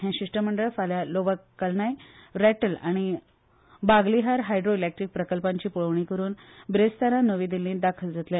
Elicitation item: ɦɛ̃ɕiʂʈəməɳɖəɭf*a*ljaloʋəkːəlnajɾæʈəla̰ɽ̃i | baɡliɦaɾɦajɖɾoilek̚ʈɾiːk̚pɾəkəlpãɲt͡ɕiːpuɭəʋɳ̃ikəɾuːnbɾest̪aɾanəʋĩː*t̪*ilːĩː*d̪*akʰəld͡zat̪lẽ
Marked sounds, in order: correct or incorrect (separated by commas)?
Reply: correct, incorrect, correct